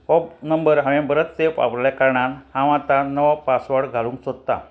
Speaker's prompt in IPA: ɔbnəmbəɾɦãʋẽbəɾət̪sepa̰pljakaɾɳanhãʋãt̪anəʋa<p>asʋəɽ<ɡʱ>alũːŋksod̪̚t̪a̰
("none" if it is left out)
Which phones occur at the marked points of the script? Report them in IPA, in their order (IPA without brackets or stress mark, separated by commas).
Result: p, ɡʱ